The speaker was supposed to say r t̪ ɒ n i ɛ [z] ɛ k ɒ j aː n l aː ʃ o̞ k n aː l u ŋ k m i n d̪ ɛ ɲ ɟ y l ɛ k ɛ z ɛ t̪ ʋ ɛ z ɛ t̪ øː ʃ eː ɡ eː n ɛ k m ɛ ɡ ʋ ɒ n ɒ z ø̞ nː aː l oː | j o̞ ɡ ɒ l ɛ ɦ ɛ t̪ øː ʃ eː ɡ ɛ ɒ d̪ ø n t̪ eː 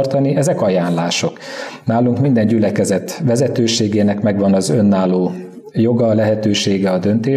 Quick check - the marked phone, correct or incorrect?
correct